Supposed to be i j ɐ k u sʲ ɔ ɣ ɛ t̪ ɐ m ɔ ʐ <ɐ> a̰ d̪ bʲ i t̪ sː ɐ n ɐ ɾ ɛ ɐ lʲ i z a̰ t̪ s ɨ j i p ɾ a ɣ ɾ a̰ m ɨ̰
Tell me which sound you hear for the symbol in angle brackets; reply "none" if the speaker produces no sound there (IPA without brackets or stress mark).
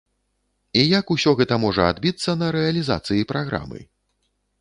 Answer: ɐ